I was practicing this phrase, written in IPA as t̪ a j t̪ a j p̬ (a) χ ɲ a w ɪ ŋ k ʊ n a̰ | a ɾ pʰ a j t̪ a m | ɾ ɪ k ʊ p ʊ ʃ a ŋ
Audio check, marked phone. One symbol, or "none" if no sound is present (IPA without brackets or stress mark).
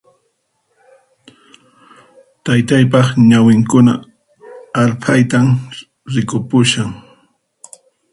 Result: ɑ